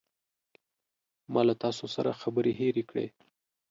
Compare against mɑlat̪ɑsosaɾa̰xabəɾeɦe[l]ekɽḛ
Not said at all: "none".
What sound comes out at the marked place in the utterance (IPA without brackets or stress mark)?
ɾ